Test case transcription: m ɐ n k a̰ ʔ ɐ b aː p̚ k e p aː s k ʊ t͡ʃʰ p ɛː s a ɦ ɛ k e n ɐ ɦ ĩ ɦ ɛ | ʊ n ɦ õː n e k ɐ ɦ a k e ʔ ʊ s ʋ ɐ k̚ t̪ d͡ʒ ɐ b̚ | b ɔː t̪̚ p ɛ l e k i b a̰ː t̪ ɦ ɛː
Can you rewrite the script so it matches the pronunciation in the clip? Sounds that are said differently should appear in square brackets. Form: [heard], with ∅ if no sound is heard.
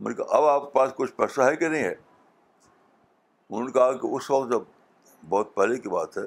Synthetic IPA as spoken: m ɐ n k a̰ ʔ ɐ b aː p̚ k e p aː s k ʊ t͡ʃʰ p ɛː s a ɦ ɛ k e n ɐ ɦ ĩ ɦ ɛ | ʊ n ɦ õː n e k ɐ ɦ a k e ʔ ʊ s ʋ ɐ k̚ t̪ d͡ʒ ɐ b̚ | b ɔː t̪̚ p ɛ l e k i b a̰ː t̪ ɦ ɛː